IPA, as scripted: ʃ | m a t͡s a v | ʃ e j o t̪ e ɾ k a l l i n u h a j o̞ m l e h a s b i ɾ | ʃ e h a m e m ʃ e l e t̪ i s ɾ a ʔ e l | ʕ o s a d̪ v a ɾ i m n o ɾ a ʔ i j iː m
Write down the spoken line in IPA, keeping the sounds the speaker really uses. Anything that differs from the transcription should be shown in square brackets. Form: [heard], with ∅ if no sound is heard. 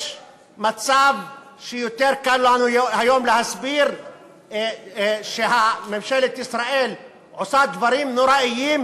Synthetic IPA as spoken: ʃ | m a t͡s a v | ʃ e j o t̪ e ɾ k a l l [a] n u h a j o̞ m l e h a s b i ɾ | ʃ e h a m e m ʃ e l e t̪ i s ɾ a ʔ e l | ʕ o s a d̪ v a ɾ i m n o ɾ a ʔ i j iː m